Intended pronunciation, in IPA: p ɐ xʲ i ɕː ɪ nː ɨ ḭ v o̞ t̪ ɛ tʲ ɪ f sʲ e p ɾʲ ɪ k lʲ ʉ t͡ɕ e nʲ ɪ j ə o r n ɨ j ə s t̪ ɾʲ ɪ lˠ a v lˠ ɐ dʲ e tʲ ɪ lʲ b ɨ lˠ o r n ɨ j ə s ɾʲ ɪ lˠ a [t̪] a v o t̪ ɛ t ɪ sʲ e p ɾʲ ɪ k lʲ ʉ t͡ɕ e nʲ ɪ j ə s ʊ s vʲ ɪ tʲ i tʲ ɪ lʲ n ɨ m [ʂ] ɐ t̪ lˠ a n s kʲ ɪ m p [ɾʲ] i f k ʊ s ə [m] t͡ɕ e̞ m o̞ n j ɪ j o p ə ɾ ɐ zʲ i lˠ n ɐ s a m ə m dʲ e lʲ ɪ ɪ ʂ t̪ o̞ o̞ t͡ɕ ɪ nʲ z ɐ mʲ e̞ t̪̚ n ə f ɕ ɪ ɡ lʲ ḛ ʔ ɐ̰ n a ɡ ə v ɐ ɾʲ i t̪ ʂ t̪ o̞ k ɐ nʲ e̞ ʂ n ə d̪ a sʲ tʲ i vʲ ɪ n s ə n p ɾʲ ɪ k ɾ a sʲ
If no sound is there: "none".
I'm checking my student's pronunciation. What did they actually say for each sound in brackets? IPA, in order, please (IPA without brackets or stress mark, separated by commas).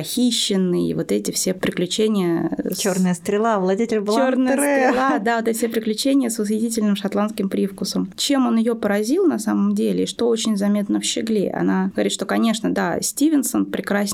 d̪, ʂ, ɾʲ, m